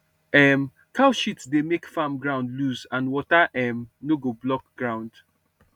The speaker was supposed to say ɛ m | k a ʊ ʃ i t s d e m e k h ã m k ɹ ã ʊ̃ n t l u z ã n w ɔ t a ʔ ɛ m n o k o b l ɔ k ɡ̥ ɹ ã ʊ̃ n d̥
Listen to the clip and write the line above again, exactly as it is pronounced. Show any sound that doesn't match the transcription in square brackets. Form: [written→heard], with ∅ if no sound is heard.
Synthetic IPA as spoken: ɛ m | k a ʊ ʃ i t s d e m e k [h→f] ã m [k→ɡ] ɹ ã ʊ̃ n [t→d] l u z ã n w ɔ t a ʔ ɛ m n o [k→ɡ] o b l ɔ k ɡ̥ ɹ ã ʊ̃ n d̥